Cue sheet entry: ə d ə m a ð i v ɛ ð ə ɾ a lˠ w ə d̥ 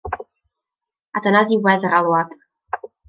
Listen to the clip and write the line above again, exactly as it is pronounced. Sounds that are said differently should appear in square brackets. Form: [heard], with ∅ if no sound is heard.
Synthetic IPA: [a] d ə [n] a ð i [w] ɛ ð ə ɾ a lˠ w [a] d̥